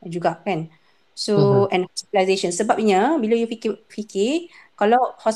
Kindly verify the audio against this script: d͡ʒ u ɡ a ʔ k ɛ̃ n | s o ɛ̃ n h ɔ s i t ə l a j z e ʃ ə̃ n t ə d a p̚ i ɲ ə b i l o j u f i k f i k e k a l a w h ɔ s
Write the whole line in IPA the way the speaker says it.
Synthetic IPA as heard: d͡ʒ u ɡ a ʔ k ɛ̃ n | s o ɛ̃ n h ɔ s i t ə l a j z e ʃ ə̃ n s ə b a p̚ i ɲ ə b i l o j u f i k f i k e k a l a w h ɔ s